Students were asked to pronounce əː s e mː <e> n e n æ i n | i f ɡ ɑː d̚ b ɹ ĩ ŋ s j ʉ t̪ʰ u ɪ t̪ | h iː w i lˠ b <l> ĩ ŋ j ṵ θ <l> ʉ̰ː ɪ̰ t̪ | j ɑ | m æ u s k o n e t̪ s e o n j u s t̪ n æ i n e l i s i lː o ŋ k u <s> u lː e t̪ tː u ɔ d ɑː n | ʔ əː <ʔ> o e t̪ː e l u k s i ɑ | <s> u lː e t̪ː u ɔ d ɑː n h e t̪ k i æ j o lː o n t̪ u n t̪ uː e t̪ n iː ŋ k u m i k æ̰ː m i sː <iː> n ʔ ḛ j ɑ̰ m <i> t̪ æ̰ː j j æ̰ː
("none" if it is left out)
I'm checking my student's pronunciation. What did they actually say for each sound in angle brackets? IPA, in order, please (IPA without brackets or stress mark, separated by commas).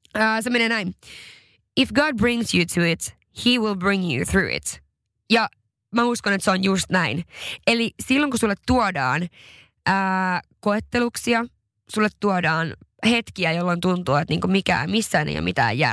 e, ɹ, ɹ, s, k, s, æː, i